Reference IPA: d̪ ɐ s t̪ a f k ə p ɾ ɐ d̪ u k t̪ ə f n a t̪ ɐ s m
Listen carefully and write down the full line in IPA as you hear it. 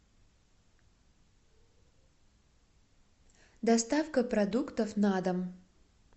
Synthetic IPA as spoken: d̪ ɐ s t̪ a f k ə p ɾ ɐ d̪ u k t̪ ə f n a d̪ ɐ m